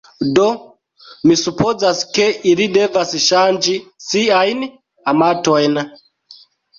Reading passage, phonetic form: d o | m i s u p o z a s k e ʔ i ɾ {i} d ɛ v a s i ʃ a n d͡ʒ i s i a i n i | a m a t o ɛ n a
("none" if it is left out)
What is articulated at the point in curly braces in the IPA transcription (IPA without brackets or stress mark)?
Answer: i